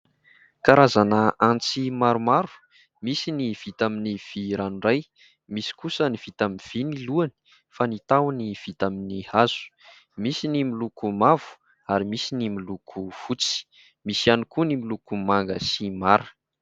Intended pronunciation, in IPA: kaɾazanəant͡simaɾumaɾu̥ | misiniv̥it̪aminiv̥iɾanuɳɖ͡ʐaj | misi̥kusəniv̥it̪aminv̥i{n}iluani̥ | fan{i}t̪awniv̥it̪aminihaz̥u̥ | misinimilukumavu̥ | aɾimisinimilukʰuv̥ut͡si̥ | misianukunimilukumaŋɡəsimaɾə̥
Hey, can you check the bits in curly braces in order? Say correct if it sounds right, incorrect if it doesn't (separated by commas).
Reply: correct, correct